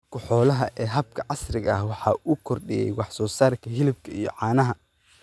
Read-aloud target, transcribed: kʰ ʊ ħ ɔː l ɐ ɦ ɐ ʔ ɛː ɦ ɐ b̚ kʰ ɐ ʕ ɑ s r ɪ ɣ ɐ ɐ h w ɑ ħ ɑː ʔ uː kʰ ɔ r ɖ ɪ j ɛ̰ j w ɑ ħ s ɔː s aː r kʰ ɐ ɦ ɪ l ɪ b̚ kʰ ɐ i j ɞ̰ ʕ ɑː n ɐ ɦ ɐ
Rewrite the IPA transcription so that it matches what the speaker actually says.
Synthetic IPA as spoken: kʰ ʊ ħ ɔː l ɐ ɦ ɐ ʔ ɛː ɦ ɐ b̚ kʰ ɐ ʕ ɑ s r ɪ ɣ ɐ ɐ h w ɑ ħ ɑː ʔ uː kʰ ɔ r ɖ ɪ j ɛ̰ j w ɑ ħ s ɔː s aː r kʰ ɐ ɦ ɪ l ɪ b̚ kʰ ɐ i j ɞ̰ ʕ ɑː n ɐ ɦ ɐ

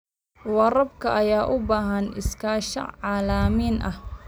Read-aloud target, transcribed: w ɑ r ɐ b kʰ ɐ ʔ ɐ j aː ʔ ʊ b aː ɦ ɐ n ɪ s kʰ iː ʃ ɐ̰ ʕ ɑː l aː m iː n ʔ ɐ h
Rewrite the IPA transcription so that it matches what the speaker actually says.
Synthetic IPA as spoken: w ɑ r ɐ b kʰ ɐ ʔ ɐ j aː ʔ ʊ b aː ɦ ɐ n ɪ s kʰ aː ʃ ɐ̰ ʕ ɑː l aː m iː n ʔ ɐ h

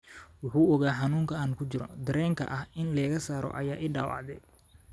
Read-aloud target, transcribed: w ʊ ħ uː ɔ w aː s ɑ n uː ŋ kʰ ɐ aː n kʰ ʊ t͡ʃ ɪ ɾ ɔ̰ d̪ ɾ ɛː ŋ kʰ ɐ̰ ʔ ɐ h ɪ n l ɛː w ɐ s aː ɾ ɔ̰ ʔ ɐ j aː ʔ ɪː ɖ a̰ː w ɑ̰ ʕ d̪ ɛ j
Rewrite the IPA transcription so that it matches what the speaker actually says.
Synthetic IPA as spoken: w ʊ ħ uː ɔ ɣ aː ħ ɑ n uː ŋ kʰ ɐ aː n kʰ ʊ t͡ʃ ɪ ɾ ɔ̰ d̪ ɾ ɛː ŋ kʰ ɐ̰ ʔ ɐ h ɪ n l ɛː ɣ ɐ s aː ɾ ɔ̰ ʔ ɐ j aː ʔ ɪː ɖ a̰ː w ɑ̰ ʕ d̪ ɛ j

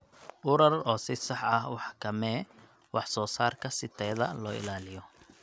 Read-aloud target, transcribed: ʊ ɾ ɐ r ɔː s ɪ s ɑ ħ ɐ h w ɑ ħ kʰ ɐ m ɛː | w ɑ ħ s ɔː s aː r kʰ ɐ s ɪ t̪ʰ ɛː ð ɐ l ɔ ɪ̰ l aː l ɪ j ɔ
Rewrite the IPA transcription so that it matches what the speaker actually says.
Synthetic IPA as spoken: ʊ ɾ ɐ r ɔː s ɪ s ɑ ħ ɐ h w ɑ ħ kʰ ɐ m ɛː | w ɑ ħ s ɔː s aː r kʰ ɐ s ɪ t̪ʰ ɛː ð ɐ l ɔː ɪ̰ l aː l ɪ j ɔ

